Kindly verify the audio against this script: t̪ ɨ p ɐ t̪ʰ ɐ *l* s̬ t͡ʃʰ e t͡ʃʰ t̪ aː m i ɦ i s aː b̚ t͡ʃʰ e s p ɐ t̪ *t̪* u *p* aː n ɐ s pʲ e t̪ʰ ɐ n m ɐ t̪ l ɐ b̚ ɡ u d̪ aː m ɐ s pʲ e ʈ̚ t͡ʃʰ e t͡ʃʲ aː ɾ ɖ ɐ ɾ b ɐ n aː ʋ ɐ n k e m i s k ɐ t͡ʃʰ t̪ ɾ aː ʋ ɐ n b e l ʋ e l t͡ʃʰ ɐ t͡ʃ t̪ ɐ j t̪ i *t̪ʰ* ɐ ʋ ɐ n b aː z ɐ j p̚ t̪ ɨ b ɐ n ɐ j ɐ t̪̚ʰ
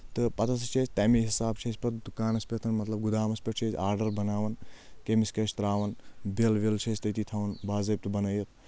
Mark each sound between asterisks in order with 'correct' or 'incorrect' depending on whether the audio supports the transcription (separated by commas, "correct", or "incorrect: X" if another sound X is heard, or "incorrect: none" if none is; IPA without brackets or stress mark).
incorrect: none, incorrect: d̪, incorrect: k, correct